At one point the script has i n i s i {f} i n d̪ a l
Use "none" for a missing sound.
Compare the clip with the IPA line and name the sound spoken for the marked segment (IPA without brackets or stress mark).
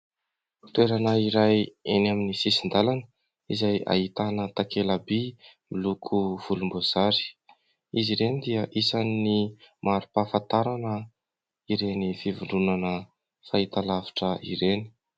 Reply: s